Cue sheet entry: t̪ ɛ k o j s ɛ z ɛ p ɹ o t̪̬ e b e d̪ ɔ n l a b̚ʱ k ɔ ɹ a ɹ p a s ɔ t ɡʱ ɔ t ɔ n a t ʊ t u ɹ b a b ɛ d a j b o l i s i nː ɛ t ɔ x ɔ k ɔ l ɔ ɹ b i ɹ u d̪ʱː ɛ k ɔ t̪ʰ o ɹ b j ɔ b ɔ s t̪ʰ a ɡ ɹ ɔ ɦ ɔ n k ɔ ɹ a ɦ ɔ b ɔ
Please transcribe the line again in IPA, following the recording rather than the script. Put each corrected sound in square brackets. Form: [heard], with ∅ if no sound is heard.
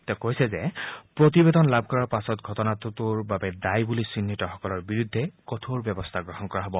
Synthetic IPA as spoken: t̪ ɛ k o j s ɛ z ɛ p ɹ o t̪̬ [i] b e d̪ ɔ n l a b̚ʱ k ɔ ɹ a ɹ p a s ɔ t ɡʱ ɔ t ɔ n a t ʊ t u ɹ b a b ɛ d a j b [u] l i s i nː [i] t ɔ x ɔ k ɔ l ɔ ɹ b i ɹ u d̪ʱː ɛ k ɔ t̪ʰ o ɹ b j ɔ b ɔ s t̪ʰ a ɡ ɹ ɔ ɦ ɔ n k ɔ ɹ a ɦ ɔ b ɔ